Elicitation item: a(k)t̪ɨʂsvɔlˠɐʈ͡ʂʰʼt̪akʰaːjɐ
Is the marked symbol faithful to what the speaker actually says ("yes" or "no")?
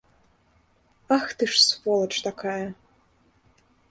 no